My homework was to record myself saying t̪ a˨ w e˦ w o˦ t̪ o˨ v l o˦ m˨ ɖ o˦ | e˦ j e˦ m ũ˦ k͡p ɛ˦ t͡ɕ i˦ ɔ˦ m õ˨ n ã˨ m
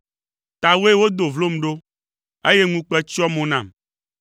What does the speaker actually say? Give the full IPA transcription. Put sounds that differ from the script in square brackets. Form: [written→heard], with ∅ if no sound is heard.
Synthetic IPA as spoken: t̪ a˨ w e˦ w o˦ [t̪→d̪] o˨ v l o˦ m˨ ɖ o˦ | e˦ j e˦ [m→ŋ] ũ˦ k͡p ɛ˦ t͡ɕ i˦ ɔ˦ m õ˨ n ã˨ m